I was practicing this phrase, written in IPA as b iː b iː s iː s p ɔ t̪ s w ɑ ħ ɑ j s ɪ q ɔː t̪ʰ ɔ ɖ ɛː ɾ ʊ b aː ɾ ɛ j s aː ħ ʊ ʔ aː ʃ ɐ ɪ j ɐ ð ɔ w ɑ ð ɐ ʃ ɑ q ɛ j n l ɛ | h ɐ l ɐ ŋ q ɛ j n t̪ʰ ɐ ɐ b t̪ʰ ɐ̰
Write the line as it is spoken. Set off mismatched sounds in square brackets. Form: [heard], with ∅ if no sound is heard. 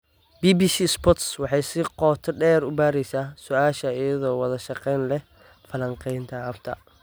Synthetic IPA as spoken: b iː b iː s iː s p ɔ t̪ s w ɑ ħ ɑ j s ɪ q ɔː t̪ʰ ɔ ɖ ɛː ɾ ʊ b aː ɾ ɛ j s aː [s] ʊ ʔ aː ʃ ɐ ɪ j ɐ ð [ɔː] w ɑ ð ɐ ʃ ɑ q ɛ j n l ɛ | [f] ɐ l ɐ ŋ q ɛ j n t̪ʰ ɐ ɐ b t̪ʰ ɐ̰